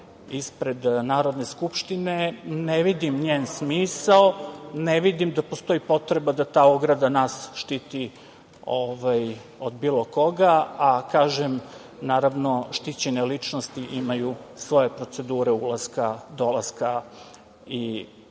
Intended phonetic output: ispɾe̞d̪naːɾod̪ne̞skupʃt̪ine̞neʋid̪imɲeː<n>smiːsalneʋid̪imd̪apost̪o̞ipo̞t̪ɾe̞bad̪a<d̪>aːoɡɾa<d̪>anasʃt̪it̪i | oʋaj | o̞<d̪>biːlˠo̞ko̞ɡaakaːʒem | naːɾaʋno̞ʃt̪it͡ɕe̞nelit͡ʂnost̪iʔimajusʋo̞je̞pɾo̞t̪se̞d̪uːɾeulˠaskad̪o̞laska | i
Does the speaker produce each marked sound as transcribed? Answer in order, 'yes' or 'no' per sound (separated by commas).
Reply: yes, no, yes, yes